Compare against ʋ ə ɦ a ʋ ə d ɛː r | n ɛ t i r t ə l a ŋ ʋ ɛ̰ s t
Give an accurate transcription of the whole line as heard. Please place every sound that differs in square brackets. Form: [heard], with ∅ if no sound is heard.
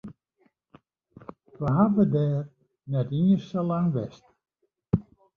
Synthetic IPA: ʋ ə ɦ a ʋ ə d ɛː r | n ɛ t i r [s] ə l a ŋ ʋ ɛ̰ s t